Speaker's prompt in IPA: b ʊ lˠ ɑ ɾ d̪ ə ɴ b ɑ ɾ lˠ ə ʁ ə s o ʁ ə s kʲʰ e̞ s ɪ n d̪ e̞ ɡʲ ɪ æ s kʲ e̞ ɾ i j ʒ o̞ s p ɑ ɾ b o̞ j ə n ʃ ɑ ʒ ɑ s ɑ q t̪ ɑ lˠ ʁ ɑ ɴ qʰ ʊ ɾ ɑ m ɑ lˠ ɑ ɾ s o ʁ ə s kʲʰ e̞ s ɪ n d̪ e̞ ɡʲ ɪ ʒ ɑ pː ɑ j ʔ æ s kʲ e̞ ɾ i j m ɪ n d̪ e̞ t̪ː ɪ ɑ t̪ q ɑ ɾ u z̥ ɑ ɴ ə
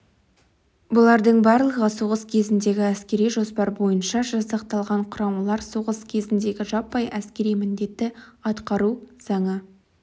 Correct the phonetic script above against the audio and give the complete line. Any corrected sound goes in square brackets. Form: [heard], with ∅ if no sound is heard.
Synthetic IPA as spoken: b ʊ lˠ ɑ ɾ d̪ ə ɴ b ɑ ɾ lˠ ə ʁ ə s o ʁ ə s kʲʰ e̞ [z] ɪ n d̪ e̞ ɡʲ ɪ æ s kʲ e̞ ɾ i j ʒ o̞ s p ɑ ɾ b o̞ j ə n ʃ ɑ ʒ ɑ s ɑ q t̪ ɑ lˠ ʁ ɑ ɴ qʰ ʊ ɾ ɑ m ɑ lˠ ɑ ɾ s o ʁ ə s kʲʰ e̞ [z] ɪ n d̪ e̞ ɡʲ ɪ ʒ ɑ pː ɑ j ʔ æ s kʲ e̞ ɾ i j m ɪ n d̪ e̞ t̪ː ɪ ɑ t̪ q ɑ ɾ u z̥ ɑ ɴ ə

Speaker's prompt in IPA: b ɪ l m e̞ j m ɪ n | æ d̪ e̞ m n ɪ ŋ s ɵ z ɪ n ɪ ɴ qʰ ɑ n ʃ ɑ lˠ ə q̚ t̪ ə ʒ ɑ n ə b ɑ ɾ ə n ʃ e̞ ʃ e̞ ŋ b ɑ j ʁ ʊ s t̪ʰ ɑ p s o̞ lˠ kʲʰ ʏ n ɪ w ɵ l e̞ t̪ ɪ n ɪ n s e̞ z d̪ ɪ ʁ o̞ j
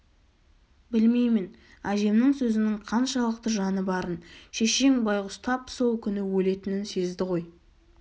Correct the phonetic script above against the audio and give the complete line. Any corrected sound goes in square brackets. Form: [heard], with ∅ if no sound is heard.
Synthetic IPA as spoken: b ɪ l m e̞ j m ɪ n | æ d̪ e̞ m n ɪ ŋ s ɵ z ɪ n ɪ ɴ qʰ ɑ n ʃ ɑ lˠ ə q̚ t̪ ə ʒ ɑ n ə b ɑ ɾ ə n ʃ e̞ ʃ e̞ ŋ b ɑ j ʁ ʊ s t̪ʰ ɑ p s o̞ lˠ kʲʰ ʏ n ɪ w ɵ l e̞ t̪ ɪ n ɪ n s e̞ z d̪ ɪ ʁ o̞ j

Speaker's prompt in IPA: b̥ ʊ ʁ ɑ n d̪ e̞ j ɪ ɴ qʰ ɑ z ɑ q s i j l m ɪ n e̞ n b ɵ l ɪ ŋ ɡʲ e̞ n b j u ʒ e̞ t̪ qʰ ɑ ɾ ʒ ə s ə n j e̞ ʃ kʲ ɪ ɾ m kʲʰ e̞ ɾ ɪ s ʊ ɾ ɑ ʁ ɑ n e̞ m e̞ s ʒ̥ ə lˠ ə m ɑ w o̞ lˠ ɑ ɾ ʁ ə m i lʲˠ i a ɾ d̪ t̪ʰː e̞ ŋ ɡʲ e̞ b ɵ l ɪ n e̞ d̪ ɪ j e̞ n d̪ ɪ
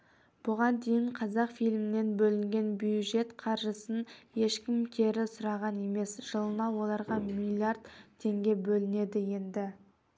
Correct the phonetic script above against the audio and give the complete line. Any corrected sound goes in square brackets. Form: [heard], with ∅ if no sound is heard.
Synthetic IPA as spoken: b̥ ʊ ʁ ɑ n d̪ e̞ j ɪ ɴ qʰ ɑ z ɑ q [f] i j l m ɪ n e̞ n b ɵ l ɪ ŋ ɡʲ e̞ n b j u ʒ e̞ t̪ qʰ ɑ ɾ ʒ ə s ə n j e̞ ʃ kʲ ɪ [∅] m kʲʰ e̞ ɾ ɪ s ʊ ɾ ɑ ʁ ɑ n e̞ m e̞ s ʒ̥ ə lˠ ə [n] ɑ w o̞ lˠ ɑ ɾ ʁ [ɑ] m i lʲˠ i a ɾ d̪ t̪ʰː e̞ ŋ ɡʲ e̞ b ɵ l ɪ n e̞ d̪ ɪ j e̞ n d̪ ɪ

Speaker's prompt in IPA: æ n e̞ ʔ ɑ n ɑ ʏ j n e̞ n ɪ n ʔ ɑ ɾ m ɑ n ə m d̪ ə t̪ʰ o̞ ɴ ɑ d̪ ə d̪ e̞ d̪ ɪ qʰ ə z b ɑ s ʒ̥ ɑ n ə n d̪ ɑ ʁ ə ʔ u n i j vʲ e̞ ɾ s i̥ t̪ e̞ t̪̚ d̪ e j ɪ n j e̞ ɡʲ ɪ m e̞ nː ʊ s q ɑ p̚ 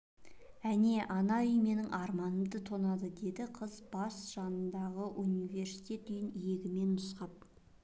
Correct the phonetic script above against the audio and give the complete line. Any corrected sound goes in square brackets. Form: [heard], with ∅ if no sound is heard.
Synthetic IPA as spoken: æ n e̞ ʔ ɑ n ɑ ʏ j [m] e̞ n ɪ [ŋ] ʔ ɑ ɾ m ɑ n ə m d̪ ə t̪ʰ o̞ [n] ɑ d̪ ə d̪ e̞ d̪ ɪ qʰ ə z b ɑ s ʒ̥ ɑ n ə n d̪ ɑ ʁ ə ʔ u n i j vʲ e̞ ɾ s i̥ t̪ e̞ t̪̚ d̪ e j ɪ n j e̞ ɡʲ ɪ m e̞ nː ʊ s q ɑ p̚

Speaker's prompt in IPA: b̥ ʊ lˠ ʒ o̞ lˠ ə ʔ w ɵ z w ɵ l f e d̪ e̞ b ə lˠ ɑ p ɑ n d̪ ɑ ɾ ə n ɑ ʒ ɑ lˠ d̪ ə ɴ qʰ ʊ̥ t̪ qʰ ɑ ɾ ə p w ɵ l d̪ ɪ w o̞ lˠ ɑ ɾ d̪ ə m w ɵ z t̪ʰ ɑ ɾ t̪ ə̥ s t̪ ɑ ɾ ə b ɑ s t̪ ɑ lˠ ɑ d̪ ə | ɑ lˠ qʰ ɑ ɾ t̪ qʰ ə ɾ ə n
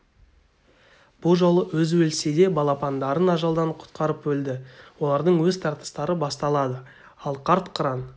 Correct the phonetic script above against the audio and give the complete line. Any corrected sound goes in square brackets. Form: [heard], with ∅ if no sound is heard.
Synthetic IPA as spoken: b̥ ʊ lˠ ʒ o̞ lˠ ə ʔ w ɵ z w ɵ l [s] e d̪ e̞ b [ɑ] lˠ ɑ p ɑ n d̪ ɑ ɾ ə n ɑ ʒ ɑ lˠ d̪ [ɑ] ɴ qʰ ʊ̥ t̪ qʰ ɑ ɾ ə p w ɵ l d̪ ɪ w o̞ lˠ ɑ ɾ d̪ ə [ɴ] w ɵ z t̪ʰ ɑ ɾ t̪ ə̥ s t̪ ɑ ɾ ə b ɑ s t̪ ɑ lˠ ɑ d̪ ə | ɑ lˠ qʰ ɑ ɾ t̪ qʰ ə ɾ [ɑ] n

